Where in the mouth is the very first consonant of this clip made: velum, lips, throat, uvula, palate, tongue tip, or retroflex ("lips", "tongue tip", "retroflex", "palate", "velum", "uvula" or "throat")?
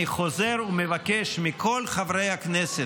uvula